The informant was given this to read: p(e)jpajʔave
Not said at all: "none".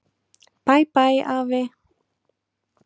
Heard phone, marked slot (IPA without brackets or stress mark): a